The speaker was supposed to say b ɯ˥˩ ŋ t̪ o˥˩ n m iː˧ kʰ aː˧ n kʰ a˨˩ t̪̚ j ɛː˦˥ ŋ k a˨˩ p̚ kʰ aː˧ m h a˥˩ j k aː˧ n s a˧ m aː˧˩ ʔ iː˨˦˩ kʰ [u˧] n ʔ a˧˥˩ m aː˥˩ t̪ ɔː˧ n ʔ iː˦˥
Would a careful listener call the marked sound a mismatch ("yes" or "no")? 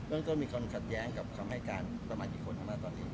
yes